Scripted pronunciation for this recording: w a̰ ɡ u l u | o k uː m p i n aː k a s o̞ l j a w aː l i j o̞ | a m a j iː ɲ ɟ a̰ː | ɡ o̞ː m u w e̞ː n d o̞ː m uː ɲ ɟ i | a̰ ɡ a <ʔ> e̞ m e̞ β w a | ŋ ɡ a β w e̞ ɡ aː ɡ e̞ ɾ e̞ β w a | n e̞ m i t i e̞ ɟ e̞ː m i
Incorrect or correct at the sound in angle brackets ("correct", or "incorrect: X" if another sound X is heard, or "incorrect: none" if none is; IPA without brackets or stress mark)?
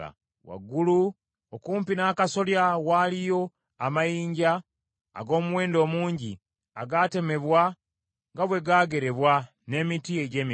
incorrect: t